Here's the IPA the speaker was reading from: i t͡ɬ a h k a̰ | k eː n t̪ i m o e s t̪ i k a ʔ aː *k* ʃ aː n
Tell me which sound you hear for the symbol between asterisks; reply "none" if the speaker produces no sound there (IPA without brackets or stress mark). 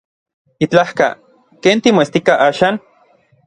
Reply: none